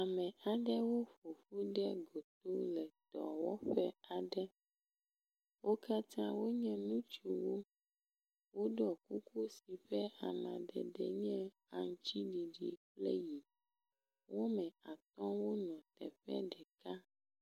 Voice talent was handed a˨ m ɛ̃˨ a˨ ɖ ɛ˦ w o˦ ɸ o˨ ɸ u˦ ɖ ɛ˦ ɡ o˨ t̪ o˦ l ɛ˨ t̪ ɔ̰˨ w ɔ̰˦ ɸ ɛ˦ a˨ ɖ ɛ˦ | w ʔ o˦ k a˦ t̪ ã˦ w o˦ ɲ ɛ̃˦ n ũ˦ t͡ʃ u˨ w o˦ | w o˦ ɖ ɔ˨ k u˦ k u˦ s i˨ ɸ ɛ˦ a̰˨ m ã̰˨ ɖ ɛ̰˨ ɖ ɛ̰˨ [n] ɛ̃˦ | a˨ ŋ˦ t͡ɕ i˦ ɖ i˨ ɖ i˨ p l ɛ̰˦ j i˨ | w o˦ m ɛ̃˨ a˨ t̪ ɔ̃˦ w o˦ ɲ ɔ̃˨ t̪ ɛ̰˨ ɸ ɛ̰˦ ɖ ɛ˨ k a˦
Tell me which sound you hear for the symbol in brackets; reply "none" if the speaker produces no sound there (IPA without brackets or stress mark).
ɲ